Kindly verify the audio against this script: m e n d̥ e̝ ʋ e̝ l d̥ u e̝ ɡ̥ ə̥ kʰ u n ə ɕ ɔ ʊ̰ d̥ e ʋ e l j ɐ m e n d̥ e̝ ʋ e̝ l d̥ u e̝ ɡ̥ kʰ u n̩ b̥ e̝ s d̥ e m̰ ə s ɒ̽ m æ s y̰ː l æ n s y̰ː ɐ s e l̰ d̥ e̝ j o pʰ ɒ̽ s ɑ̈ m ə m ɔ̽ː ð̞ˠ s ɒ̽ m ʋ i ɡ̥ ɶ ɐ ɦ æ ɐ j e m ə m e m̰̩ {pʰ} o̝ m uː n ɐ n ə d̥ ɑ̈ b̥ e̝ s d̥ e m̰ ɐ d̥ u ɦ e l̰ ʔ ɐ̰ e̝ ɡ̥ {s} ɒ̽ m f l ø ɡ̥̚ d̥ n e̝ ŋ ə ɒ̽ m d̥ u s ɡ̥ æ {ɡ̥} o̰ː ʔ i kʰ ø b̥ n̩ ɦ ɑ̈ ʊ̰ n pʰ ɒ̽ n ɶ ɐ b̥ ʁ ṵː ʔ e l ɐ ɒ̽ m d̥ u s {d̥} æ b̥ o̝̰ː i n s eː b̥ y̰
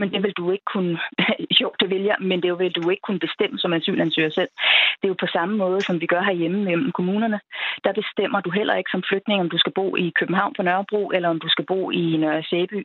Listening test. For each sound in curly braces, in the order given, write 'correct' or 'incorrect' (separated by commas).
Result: incorrect, correct, incorrect, incorrect